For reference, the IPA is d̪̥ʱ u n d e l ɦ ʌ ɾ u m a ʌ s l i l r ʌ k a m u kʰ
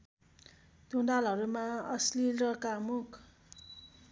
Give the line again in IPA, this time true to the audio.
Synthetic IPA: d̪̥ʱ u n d a l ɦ ʌ ɾ u m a ʌ s l i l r ʌ k a m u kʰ